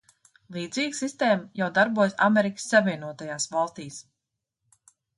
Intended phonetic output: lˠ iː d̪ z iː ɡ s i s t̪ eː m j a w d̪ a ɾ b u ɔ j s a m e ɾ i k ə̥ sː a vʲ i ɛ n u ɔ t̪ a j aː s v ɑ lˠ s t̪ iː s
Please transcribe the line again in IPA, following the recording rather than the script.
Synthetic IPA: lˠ iː d̪ z iː ɡ s i s t̪ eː m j a w d̪ a ɾ b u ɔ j s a m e ɾ i k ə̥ sː a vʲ i ɛ n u ɔ t̪ a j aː s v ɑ lˠ s t̪ iː s

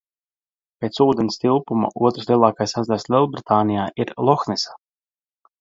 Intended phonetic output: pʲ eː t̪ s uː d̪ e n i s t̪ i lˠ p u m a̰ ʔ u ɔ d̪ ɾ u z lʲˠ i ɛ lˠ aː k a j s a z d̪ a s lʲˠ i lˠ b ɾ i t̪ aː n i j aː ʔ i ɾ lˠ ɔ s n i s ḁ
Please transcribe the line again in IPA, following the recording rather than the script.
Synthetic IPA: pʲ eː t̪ s uː d̪ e n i s t̪ i lˠ p u m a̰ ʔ u ɔ t̪ ɾ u s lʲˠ i ɛ lˠ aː k a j s a z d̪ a s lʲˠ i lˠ b ɾ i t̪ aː n i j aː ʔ i ɾ lˠ ɔ x n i s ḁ

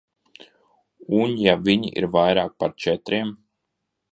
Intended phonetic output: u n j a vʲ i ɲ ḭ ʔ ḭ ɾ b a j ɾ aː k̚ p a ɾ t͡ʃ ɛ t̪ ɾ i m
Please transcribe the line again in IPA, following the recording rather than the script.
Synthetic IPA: u n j a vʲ i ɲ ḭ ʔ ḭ ɾ v a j ɾ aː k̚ p a ɾ t͡ʃ ɛ t̪ ɾ i m

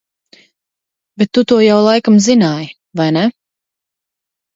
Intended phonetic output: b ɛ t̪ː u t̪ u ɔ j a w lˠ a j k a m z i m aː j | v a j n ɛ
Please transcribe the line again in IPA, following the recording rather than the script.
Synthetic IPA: b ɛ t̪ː u t̪ u ɔ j a w lˠ a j k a m z i n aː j | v a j n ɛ

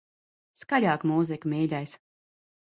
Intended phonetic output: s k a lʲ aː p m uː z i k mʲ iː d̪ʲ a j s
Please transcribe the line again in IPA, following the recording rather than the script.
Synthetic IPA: s k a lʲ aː k m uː z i k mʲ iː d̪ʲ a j s

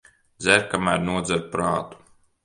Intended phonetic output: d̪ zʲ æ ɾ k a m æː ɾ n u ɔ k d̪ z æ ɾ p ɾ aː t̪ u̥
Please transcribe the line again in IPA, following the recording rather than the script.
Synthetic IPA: d̪ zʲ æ ɾ k a m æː ɾ n u ɔ d̪ z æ ɾ p ɾ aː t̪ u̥

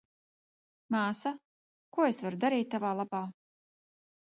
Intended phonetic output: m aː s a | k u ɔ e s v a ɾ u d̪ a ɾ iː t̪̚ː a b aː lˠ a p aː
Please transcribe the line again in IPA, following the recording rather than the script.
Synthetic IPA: m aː s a | k u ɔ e s v a ɾ u d̪ a ɾ iː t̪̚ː a v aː lˠ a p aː

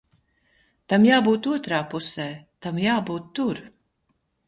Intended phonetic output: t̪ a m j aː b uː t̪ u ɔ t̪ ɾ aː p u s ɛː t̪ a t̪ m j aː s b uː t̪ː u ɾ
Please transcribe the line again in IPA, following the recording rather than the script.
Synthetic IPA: t̪ a m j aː b uː t̪ u ɔ t̪ ɾ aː p u s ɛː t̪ a m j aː b uː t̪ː u ɾ

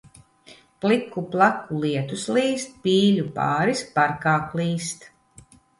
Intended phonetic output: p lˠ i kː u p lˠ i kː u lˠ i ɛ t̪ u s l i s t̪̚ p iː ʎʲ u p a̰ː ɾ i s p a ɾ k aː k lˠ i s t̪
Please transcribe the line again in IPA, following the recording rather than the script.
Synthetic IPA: p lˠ i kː u p lˠ a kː u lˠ i ɛ t̪ u s l iː s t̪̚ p iː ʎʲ u p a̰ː ɾ i s p a ɾ k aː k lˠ iː s t̪

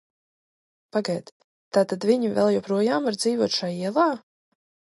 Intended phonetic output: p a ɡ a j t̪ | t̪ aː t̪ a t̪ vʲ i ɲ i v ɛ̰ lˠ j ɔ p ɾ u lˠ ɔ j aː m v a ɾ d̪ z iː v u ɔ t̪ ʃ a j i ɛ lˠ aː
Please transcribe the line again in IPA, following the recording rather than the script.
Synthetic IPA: p a ɡ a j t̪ | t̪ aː t̪ a d̪ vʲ i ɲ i v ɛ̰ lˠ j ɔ p ɾ u ɔ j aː m v a ɾ d̪ z iː v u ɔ t̪ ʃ a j i ɛ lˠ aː

